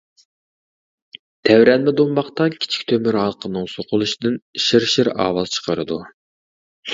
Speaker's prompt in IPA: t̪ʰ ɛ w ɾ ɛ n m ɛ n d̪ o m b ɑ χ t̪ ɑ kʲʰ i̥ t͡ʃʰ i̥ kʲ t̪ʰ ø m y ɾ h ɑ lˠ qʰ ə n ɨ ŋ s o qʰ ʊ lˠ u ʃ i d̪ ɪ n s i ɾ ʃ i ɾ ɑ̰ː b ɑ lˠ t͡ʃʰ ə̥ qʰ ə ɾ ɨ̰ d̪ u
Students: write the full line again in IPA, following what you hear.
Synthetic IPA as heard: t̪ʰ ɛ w ɾ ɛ n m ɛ d̪ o m b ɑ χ t̪ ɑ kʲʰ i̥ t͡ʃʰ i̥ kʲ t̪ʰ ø m y ɾ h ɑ lˠ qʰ ə n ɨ ŋ s o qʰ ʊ lˠ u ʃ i d̪ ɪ n ʃ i ɾ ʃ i ɾ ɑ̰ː w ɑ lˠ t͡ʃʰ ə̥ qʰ ə ɾ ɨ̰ d̪ u